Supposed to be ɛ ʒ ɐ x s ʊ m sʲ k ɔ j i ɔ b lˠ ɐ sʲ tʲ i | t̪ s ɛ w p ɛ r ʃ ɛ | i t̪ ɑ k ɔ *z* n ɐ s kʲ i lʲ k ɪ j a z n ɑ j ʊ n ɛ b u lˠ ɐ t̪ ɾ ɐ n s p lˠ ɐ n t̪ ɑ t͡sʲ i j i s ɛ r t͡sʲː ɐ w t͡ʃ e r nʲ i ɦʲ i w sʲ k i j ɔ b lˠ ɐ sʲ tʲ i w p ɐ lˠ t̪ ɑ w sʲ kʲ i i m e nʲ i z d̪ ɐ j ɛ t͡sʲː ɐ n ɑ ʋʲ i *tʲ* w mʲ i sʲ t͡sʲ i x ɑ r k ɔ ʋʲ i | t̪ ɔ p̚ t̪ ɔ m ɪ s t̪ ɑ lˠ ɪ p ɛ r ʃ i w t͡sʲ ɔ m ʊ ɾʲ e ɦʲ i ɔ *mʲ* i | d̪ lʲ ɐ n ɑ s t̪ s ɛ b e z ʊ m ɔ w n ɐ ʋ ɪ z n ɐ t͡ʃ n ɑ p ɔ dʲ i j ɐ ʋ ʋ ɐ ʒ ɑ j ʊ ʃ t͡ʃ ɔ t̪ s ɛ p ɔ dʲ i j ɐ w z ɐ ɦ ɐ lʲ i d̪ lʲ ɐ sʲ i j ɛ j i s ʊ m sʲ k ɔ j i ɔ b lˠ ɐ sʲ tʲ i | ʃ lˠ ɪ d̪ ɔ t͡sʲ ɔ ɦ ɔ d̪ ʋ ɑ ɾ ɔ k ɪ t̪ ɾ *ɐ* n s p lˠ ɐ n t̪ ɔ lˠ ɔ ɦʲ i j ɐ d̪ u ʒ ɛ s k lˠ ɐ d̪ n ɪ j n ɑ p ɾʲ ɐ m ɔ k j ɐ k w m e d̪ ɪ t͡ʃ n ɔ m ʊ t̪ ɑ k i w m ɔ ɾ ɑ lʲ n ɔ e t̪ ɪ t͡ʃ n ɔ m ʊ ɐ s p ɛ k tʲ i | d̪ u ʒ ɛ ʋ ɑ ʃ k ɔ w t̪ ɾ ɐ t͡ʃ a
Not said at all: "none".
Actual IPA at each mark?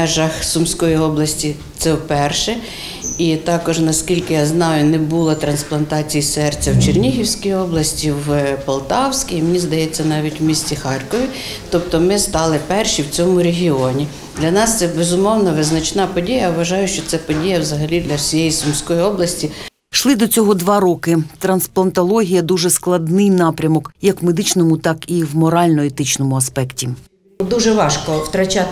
ʒ, tʲ, nʲ, ɐ

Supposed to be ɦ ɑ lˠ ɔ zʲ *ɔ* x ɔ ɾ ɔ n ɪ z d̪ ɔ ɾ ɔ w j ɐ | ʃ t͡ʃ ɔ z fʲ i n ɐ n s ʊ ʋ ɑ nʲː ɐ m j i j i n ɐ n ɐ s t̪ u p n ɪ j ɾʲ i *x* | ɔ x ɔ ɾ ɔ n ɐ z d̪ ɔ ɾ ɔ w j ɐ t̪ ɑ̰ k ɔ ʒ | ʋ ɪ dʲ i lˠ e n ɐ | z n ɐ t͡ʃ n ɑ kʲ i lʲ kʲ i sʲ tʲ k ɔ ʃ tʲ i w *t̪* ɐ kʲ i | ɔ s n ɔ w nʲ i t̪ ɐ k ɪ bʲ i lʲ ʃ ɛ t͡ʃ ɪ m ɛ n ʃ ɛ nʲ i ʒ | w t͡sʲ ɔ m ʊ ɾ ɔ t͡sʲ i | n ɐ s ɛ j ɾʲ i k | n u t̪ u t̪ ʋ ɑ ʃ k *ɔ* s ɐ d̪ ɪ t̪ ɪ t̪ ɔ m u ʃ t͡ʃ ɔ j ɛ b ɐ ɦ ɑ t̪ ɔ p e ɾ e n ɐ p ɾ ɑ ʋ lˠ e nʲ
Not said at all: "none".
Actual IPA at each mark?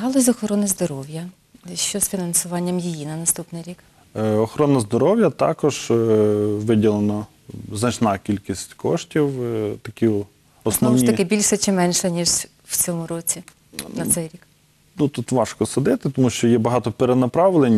ɔ, k, t̪, ɔ

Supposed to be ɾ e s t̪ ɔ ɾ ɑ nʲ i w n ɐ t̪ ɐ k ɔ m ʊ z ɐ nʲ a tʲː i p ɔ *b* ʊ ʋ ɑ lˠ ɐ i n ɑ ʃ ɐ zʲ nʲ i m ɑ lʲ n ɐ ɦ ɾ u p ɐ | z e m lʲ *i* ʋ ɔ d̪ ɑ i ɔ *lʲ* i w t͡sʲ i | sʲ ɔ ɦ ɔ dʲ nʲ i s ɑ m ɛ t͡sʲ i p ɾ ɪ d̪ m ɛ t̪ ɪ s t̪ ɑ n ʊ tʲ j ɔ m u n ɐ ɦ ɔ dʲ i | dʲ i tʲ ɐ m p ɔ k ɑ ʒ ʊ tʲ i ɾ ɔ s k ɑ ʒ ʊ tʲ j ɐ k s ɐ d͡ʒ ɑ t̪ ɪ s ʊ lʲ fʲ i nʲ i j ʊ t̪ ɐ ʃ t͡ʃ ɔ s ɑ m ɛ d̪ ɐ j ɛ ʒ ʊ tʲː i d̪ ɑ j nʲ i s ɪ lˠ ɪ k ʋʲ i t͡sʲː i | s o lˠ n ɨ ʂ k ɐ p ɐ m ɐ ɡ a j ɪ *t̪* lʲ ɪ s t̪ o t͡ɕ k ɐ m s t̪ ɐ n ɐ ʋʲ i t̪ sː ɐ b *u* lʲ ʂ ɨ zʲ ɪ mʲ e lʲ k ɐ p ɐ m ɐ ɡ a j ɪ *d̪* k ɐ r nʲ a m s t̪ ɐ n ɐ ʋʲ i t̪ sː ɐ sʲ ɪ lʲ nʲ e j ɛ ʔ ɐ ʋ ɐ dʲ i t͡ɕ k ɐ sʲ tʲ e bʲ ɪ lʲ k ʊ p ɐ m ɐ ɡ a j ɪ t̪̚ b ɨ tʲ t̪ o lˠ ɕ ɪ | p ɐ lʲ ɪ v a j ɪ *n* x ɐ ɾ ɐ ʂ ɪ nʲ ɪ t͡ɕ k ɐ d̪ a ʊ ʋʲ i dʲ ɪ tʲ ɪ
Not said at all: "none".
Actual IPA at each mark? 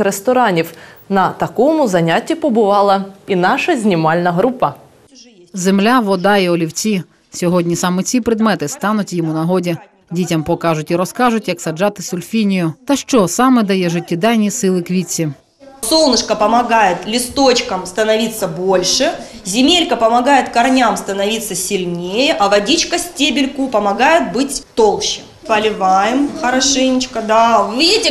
b, a, lʲ, t̪, o, t̪, m

